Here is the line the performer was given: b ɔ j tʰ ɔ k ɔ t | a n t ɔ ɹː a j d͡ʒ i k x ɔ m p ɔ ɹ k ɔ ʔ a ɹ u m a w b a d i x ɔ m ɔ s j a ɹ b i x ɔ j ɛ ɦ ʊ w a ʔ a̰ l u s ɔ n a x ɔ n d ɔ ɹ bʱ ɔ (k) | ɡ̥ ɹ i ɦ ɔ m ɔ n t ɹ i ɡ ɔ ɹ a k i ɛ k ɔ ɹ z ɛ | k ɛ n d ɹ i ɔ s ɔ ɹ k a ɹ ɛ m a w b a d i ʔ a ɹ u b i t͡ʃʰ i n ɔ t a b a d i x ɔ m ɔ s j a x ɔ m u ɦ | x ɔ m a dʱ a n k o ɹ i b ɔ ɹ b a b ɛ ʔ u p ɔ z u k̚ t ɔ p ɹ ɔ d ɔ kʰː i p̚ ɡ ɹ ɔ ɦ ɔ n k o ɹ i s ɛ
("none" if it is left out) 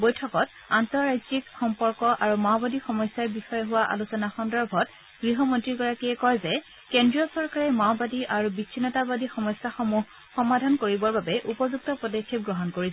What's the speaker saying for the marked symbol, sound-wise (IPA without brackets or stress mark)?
t